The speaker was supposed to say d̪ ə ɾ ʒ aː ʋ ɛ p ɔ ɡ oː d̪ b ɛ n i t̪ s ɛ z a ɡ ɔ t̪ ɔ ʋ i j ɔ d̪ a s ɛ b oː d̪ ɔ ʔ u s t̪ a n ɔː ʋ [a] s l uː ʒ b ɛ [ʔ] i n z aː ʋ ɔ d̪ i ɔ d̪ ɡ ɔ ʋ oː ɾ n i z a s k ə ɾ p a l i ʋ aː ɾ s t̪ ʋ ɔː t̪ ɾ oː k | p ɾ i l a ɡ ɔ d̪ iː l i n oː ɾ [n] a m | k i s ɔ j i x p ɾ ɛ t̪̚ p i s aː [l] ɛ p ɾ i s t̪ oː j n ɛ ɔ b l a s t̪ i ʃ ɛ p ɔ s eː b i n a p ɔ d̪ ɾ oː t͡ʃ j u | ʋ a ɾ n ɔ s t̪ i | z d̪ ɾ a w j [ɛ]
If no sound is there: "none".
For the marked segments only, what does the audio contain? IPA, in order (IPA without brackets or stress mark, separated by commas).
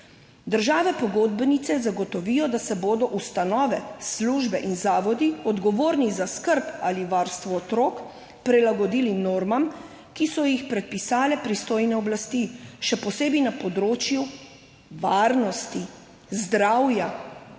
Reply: ɛ, ʔ, m, l, a